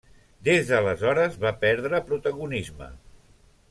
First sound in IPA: d̪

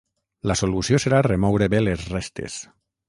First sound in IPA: l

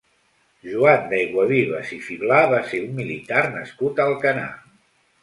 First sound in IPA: ʒ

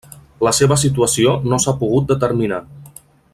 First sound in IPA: l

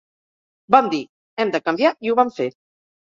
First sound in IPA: b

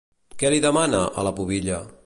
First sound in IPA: k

